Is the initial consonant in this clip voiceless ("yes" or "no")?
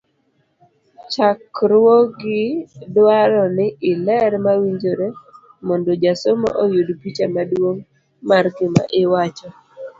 yes